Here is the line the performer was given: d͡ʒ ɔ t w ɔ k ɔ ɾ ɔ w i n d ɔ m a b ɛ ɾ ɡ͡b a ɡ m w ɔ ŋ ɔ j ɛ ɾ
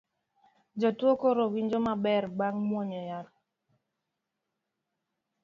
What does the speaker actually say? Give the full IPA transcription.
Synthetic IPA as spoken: d͡ʒ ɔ t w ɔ k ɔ ɾ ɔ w i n d͡ʒ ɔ m a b ɛ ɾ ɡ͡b a ŋ m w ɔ ɲ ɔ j a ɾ